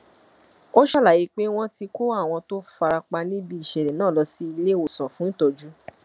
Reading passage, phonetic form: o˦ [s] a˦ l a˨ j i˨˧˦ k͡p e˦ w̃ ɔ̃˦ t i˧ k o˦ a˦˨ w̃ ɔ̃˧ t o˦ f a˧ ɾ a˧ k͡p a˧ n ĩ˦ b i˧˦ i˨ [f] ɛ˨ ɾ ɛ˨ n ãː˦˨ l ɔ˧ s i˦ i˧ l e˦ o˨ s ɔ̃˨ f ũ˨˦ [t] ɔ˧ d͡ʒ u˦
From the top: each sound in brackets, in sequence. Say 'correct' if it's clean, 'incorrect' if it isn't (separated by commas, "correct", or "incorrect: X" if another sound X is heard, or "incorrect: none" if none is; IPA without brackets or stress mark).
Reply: incorrect: ʃ, incorrect: ʃ, correct